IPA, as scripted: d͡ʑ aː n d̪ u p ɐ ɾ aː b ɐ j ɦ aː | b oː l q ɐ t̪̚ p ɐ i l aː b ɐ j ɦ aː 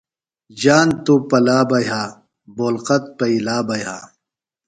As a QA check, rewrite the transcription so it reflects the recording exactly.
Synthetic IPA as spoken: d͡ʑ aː n t̪ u p ɐ l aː b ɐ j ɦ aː | b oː l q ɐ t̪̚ p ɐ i l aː b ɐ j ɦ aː